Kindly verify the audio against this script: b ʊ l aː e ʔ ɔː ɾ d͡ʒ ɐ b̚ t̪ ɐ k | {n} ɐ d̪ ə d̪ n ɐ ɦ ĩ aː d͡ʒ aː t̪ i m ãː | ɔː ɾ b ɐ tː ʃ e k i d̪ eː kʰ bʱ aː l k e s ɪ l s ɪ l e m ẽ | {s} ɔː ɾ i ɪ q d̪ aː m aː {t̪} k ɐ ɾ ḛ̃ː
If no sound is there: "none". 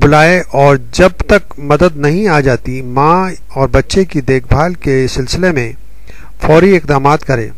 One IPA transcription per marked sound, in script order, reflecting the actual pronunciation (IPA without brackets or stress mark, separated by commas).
m, f, t̪